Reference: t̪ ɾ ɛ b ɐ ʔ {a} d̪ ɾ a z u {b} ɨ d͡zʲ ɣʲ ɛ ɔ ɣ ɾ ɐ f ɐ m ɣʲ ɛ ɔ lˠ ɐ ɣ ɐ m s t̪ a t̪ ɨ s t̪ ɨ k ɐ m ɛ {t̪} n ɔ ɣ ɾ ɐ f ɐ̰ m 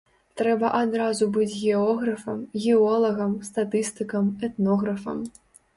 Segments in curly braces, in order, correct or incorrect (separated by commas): correct, correct, correct